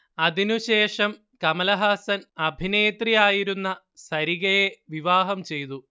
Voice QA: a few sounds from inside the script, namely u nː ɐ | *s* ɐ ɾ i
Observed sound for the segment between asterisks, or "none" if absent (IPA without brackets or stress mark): s